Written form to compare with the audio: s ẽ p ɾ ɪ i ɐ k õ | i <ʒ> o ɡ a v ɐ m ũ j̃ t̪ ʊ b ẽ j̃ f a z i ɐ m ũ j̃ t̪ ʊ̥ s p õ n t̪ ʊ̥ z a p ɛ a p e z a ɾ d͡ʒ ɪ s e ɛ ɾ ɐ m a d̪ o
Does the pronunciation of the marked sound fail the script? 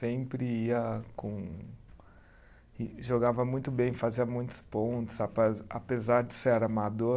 no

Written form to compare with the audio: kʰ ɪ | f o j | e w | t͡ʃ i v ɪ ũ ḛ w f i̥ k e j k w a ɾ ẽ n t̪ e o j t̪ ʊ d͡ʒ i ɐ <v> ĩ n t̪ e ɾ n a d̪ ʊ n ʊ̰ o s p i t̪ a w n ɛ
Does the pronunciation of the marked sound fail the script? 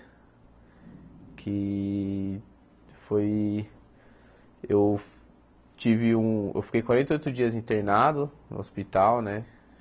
yes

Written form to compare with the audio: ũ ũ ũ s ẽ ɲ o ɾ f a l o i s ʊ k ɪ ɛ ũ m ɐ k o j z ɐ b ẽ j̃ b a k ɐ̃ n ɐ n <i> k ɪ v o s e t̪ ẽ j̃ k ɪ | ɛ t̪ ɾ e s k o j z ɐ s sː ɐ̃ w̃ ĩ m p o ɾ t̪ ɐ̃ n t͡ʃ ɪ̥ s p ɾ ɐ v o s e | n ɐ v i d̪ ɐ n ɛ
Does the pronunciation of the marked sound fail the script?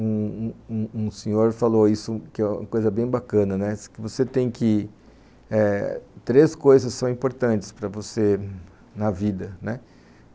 yes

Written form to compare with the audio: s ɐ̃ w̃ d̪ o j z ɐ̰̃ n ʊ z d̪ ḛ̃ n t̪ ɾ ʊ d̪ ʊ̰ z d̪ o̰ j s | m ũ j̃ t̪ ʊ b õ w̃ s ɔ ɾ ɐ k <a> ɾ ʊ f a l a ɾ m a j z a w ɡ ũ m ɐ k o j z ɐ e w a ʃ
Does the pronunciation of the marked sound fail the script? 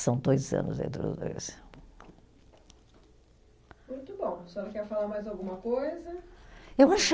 yes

